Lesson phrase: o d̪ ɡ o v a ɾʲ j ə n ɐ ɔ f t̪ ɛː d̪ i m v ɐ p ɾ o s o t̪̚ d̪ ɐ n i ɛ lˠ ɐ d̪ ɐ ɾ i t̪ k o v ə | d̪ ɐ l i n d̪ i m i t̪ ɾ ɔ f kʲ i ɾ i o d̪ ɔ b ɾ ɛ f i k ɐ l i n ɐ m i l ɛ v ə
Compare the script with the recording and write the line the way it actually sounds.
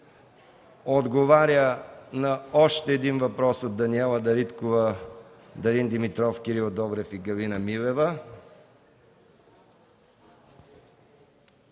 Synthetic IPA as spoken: o d̪ ɡ o v a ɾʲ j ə n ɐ ɔ ʃ t̪ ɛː d̪ i n v ɐ p ɾ ɔ s o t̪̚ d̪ ɐ n i ɛ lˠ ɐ d̪ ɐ ɾ i t̪ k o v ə | d̪ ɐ ɾ i n d̪ i m i t̪ ɾ ɔ f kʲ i ɾ i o d̪ ɔ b ɾ ɛ f i ɡ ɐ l i n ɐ m i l ɛ v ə